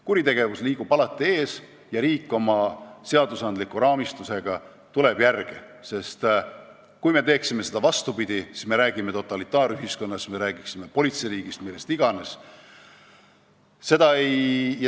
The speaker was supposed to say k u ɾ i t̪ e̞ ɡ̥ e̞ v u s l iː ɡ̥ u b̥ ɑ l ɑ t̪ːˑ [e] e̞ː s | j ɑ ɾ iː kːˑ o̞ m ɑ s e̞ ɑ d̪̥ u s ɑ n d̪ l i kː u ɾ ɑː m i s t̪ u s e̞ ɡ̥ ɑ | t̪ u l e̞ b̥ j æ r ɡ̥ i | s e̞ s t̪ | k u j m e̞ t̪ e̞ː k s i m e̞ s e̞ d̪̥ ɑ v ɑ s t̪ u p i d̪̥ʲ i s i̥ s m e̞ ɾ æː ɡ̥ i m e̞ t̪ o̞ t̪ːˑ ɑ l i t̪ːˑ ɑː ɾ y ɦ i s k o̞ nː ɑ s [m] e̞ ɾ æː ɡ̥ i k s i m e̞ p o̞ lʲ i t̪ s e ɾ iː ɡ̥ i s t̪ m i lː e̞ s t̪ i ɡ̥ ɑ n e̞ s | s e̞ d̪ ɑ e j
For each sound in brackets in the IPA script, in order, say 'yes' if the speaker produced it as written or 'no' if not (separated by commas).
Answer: no, yes